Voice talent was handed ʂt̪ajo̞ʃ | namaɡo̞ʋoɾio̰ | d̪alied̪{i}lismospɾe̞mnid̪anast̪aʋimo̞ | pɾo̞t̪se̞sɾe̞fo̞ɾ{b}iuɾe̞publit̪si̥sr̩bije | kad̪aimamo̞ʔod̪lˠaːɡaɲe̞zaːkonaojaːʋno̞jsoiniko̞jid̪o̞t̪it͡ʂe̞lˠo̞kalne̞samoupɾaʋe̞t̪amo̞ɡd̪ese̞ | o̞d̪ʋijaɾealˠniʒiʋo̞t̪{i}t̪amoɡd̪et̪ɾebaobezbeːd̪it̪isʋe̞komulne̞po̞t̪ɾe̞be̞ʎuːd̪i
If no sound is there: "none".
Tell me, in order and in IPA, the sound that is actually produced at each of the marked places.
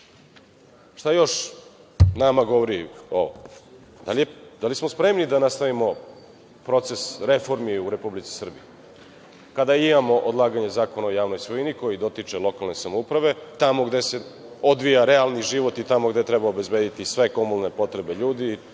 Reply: a, m, i

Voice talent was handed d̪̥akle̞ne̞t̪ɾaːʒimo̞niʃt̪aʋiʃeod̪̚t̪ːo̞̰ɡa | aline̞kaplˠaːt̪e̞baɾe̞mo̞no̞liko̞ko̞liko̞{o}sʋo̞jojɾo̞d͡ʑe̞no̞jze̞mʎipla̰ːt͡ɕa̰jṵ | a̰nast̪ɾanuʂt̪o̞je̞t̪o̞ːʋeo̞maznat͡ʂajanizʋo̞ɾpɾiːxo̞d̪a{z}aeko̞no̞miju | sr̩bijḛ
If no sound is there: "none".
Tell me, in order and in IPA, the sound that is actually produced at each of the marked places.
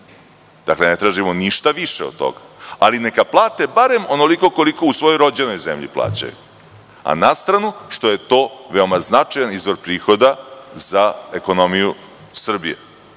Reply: u, z

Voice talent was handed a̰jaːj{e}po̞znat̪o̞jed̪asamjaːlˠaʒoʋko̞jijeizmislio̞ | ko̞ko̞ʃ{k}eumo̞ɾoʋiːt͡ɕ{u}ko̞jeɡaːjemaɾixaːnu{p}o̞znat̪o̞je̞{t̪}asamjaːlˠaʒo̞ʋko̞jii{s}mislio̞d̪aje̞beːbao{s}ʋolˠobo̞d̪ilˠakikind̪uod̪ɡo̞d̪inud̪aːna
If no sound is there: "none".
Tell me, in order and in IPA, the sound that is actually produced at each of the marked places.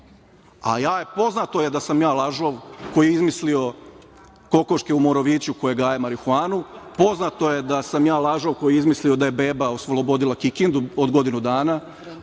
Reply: e, k, u, p, d̪, z, s

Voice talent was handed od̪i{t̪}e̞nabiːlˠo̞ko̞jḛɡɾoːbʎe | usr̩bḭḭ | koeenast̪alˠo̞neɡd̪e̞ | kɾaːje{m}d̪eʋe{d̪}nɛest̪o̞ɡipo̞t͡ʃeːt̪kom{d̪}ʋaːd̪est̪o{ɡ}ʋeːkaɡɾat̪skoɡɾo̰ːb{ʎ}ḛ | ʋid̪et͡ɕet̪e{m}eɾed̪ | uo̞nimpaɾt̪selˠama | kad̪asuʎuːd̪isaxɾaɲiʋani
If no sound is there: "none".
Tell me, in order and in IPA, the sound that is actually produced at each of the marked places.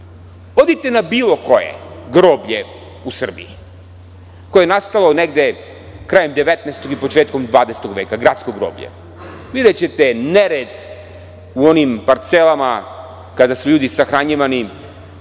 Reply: t̪, m, t̪, d̪, ɡ, ʎ, n

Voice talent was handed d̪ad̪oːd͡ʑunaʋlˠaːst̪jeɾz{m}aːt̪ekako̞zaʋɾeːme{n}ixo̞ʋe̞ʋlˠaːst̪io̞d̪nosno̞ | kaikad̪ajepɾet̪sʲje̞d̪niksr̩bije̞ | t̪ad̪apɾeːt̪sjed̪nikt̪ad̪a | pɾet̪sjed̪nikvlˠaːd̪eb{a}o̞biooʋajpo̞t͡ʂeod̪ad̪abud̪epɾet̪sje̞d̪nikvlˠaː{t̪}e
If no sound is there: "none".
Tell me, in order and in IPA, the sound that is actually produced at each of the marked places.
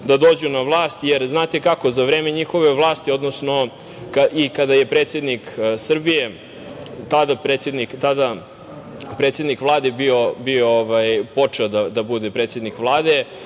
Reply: n, ɲ, i, d̪

